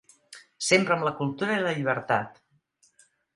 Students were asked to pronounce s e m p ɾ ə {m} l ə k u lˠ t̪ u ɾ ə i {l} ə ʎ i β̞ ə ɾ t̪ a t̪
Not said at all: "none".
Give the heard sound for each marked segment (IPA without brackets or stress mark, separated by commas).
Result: m, l